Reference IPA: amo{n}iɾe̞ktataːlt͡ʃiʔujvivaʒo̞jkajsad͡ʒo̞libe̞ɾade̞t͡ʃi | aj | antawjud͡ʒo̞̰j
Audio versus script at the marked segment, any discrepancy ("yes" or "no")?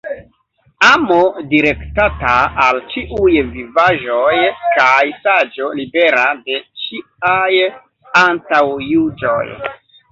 yes